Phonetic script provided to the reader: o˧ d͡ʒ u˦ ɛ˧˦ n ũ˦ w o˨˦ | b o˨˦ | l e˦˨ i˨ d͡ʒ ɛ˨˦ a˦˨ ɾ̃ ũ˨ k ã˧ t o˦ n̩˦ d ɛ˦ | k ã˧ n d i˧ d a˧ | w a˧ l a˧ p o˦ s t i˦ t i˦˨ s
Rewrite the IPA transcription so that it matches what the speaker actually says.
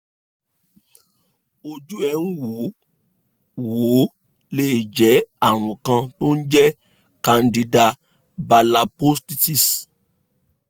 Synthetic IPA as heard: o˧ d͡ʒ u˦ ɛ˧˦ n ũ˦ w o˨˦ | w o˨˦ | l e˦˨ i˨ d͡ʒ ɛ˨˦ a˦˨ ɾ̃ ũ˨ k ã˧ t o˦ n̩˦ d͡ʒ ɛ˦ | k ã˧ n d i˧ d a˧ | b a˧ l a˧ p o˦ s t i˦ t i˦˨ s